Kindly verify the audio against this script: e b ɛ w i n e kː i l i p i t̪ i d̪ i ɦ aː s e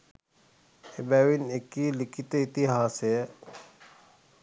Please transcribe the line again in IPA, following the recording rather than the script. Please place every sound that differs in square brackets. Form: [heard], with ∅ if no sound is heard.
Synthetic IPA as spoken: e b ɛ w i n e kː i l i [k] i t̪ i [t̪] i ɦ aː s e